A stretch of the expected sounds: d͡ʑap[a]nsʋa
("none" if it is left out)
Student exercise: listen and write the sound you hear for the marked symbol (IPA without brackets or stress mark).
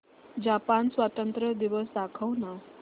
a